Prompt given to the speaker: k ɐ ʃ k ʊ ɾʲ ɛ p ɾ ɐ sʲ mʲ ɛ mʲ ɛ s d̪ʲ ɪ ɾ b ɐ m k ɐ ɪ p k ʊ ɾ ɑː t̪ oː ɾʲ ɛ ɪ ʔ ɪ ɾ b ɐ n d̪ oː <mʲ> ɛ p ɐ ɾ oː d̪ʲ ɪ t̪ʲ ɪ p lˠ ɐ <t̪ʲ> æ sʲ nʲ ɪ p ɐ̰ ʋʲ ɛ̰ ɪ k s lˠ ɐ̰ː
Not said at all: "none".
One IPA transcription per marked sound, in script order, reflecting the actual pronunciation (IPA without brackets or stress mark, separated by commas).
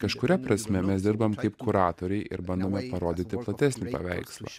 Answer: mʲ, t̪ʲ